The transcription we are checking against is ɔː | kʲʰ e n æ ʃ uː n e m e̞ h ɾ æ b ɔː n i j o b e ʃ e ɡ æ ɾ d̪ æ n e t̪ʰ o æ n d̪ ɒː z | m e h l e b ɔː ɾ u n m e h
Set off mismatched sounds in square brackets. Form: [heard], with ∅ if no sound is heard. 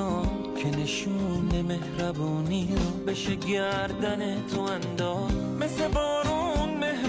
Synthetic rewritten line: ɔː | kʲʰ e n [e] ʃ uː n e m e̞ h ɾ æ b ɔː n i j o b e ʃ e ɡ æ ɾ d̪ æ n e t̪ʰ o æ n d̪ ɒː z | m e [s] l e b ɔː ɾ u n m e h